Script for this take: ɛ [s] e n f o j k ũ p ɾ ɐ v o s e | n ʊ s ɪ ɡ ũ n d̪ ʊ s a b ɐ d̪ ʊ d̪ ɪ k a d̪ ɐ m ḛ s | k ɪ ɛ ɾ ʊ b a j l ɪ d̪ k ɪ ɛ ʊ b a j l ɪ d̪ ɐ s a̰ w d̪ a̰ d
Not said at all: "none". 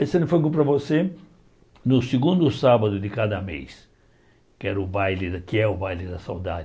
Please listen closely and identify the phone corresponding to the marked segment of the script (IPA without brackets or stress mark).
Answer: s